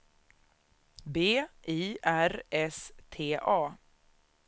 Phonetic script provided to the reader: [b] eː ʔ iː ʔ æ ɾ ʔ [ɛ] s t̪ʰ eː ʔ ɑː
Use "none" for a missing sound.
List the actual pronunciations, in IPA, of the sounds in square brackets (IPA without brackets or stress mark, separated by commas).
b, ɛ